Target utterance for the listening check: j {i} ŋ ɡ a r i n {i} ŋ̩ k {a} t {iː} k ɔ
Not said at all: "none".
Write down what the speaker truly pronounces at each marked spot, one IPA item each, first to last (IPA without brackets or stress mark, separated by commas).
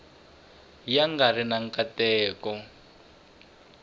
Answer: a, a, a, ɛː